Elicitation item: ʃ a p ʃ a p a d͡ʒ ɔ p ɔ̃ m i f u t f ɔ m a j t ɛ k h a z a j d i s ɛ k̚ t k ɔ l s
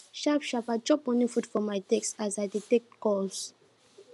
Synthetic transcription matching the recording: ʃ a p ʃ a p a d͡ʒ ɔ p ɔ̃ n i f u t f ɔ m a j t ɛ k s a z a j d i t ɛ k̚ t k ɔ l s